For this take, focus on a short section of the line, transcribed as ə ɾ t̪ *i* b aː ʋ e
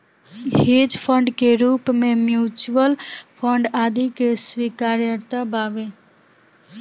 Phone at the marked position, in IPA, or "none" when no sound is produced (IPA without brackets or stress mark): a